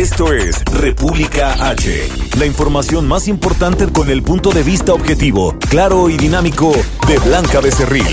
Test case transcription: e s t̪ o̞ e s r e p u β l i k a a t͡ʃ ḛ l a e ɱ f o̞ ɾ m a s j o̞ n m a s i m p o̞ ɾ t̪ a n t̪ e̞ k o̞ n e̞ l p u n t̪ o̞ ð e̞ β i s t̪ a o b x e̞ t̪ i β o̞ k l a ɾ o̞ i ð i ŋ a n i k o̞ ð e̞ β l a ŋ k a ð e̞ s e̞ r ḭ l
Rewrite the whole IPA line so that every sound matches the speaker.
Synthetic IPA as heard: e s t̪ o̞ e s r e p u β l i k a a t͡ʃ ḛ l a i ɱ f o̞ ɾ m a s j o̞ n m a s i m p o̞ ɾ t̪ a n t̪ e̞ k o̞ n e̞ l p u n t̪ o̞ ð e̞ β i s t̪ a o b x e̞ t̪ i β o̞ k l a ɾ o̞ i ð i n a m i k o̞ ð e̞ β l a ŋ k a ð e̞ s e̞ r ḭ l